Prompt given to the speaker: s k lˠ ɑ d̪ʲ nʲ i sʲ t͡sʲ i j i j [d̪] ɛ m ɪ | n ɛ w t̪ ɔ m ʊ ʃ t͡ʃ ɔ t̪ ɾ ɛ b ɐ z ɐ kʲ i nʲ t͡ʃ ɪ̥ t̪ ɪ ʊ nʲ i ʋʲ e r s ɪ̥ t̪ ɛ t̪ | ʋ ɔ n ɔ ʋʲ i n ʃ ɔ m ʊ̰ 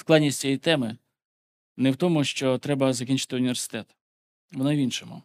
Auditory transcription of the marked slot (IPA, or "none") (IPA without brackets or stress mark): t̪